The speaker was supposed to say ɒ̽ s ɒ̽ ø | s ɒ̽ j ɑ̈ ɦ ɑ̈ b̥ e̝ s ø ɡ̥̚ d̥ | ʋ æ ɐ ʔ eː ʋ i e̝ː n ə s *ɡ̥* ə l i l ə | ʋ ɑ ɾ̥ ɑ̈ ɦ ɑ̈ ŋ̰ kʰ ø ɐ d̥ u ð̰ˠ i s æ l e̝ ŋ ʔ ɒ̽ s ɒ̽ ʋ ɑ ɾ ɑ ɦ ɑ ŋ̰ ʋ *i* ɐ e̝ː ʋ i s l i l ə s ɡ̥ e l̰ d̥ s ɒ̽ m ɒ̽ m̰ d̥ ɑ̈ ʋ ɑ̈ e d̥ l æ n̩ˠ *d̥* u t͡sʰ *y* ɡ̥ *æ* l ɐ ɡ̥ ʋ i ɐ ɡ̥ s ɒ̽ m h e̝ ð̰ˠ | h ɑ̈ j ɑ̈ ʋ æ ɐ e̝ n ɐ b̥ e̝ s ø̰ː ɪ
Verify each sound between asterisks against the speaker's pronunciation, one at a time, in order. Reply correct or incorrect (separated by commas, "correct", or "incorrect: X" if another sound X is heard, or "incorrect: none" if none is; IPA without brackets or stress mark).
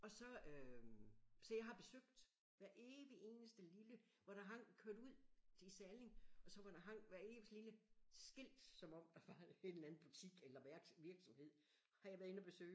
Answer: incorrect: d̥, incorrect: æ, incorrect: b̥, incorrect: i, incorrect: e